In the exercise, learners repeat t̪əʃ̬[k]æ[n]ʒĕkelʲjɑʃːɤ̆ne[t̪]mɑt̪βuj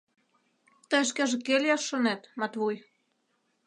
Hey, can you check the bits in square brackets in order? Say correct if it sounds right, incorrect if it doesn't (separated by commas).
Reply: correct, incorrect, correct